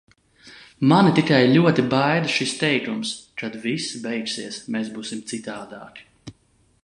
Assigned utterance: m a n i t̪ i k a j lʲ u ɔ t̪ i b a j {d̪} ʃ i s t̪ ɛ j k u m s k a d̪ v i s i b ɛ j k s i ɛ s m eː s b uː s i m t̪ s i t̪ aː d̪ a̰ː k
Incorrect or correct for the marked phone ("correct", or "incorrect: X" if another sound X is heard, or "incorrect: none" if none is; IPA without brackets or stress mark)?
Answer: correct